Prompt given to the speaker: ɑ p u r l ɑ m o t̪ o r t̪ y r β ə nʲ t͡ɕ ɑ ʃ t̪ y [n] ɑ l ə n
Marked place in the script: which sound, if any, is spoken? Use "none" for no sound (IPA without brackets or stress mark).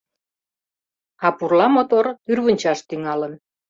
ŋ